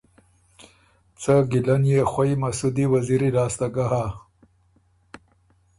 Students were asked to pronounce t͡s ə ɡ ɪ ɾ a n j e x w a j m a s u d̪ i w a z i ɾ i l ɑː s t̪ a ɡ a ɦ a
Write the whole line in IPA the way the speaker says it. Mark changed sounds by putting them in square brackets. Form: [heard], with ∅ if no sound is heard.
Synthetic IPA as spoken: t͡s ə ɡ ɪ [l] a n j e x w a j m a s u d̪ i w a z i ɾ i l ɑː s t̪ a ɡ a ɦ a